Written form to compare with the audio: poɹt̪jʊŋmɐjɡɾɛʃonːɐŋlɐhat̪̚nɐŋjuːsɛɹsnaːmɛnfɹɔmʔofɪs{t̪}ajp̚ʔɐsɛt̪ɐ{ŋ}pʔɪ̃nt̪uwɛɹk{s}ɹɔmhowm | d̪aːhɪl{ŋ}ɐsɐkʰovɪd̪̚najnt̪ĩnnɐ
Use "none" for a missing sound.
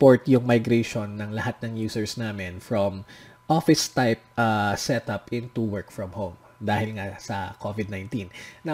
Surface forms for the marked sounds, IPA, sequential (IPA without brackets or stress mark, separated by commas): t̪, none, f, ŋ